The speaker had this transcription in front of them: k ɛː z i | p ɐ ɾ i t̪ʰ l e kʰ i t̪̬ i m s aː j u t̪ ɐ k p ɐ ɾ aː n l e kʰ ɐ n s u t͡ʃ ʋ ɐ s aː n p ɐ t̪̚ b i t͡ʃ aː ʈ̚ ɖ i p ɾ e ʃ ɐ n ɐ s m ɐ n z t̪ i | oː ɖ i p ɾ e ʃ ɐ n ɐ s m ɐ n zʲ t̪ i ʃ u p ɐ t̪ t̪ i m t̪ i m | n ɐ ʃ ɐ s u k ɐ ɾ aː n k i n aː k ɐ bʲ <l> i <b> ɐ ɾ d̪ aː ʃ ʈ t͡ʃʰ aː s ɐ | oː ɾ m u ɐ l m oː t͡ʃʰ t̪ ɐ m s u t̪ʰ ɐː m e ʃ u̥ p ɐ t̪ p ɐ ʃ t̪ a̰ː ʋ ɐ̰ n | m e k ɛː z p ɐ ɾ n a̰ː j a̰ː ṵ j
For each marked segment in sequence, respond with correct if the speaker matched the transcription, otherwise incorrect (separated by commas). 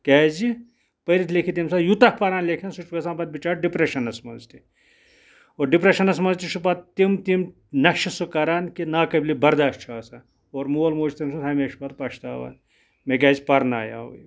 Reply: correct, correct